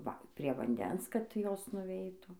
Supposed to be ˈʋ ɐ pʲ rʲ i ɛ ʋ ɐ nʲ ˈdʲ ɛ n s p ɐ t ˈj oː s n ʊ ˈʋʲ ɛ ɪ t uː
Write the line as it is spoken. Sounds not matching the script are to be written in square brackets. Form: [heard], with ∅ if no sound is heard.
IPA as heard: ˈʋ ɐ pʲ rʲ i ɛ ʋ ɐ nʲ ˈdʲ ɛ n s [k] ɐ t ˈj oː s n ʊ ˈʋʲ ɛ ɪ t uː